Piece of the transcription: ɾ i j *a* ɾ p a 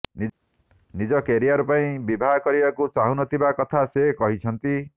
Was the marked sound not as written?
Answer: no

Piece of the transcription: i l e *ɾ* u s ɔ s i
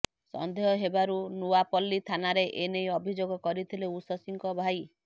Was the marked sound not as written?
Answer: yes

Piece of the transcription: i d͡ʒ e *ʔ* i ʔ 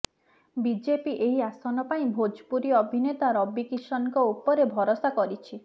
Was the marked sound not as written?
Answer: yes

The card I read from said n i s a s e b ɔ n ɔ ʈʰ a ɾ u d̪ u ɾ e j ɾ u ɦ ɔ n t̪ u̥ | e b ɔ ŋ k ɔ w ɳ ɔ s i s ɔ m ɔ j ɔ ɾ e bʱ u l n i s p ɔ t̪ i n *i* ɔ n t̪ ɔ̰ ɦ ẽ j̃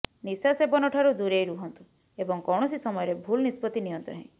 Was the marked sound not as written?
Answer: no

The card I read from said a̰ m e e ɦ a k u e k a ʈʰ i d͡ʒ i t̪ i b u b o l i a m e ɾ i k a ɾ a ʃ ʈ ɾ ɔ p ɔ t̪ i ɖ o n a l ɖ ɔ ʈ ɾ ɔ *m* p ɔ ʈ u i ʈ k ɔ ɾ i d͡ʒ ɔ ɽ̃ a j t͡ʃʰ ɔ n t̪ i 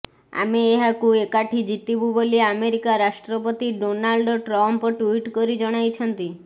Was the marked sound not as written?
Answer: no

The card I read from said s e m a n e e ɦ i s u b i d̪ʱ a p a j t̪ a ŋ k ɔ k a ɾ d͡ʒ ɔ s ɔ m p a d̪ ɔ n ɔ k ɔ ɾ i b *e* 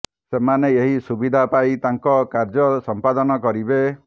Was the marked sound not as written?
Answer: no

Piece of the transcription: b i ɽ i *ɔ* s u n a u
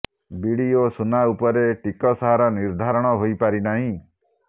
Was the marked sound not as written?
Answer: yes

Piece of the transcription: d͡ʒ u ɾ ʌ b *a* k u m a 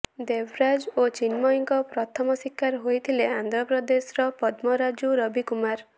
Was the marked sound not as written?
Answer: yes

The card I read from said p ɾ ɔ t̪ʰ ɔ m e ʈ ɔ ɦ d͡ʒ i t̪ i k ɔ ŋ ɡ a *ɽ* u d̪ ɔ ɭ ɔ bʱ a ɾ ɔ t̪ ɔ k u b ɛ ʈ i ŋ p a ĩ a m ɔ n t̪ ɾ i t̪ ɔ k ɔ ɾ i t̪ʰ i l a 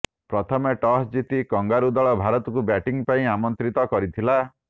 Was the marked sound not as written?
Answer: yes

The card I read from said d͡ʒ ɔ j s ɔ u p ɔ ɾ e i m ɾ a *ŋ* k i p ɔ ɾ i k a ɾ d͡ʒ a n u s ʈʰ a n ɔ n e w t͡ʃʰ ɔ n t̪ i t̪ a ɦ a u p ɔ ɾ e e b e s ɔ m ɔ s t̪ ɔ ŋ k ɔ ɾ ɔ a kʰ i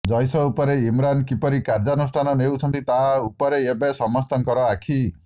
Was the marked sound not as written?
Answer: yes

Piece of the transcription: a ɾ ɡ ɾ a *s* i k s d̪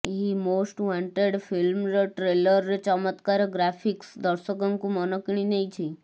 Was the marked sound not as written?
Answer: yes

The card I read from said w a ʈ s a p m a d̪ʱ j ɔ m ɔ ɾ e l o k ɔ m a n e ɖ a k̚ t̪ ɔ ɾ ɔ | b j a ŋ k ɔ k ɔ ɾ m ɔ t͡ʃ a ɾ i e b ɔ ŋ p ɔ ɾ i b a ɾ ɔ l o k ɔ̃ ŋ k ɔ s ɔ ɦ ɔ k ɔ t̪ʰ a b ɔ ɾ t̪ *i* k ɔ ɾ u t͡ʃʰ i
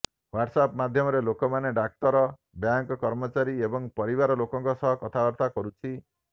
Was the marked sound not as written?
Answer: yes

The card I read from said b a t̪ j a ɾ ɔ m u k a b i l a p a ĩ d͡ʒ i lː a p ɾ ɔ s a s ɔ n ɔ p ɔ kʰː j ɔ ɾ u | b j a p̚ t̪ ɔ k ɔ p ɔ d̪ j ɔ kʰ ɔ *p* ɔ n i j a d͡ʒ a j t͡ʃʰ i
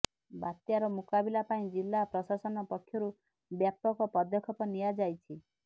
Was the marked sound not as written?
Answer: no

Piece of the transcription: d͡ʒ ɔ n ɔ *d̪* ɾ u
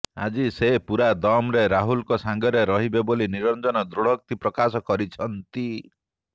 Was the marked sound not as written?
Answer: no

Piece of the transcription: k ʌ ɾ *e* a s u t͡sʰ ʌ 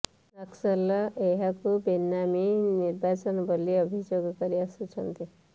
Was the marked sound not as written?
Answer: yes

